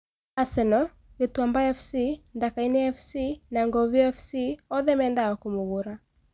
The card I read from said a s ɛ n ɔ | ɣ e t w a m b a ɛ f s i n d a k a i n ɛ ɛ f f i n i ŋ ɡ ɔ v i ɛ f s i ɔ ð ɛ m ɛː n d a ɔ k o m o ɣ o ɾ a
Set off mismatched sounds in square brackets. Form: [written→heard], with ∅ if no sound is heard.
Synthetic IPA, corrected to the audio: a s ɛ n ɔ | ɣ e t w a m b a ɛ f s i n d a k a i n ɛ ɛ f [f→s] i n [i→a] ŋ ɡ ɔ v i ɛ f s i ɔ ð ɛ m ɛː n d a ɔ k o m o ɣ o ɾ a